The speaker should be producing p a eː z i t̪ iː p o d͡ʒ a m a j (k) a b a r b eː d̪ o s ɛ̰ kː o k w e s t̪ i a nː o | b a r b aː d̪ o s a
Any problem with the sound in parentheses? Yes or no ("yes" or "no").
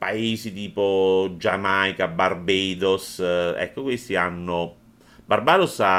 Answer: no